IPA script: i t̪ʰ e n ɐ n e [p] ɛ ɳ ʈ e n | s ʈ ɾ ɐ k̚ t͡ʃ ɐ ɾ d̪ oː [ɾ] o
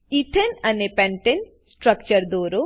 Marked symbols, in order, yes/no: yes, yes

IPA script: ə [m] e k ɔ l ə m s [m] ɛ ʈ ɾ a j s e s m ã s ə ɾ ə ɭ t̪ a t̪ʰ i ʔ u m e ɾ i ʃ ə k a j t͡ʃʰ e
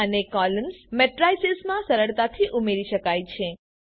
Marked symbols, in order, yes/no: no, yes

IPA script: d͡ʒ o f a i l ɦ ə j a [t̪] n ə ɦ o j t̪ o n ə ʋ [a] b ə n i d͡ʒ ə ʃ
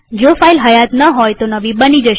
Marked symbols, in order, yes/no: yes, no

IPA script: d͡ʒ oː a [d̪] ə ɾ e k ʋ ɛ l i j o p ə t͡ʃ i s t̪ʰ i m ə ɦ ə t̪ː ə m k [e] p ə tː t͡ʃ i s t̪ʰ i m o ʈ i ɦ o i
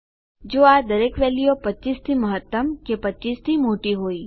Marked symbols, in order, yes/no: yes, yes

